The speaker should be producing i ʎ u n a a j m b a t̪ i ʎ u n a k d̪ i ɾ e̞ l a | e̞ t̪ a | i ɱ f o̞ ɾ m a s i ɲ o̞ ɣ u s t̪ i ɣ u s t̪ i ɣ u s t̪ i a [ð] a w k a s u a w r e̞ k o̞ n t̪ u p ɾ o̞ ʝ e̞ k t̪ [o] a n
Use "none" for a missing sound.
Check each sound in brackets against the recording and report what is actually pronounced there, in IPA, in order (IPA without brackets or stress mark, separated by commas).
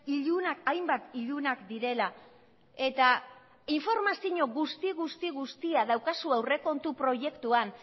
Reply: ð, u